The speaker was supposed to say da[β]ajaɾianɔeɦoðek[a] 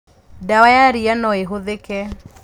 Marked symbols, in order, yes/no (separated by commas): no, no